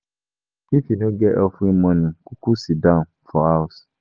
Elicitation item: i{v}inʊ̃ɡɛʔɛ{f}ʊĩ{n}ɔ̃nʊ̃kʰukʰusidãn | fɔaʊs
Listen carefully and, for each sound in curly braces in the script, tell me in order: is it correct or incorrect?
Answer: incorrect: f, correct, incorrect: m

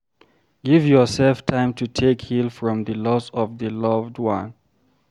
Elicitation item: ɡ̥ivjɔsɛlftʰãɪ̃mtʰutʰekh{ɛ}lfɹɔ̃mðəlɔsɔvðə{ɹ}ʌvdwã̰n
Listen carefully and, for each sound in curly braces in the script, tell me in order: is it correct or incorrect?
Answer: incorrect: i, incorrect: l

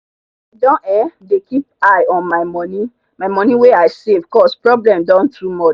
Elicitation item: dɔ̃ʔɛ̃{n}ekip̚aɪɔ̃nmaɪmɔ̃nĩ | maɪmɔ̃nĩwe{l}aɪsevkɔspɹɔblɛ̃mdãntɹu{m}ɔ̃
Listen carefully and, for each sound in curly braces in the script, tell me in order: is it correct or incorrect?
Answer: incorrect: d, incorrect: none, correct

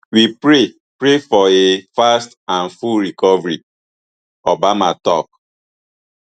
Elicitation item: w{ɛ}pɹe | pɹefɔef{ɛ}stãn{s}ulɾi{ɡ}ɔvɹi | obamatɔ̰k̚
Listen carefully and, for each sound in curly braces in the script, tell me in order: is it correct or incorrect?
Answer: incorrect: i, incorrect: a, incorrect: f, incorrect: k

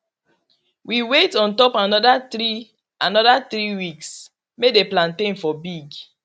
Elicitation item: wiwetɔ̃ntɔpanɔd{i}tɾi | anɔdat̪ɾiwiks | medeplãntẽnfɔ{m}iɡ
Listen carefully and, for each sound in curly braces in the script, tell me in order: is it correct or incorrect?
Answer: incorrect: a, incorrect: b

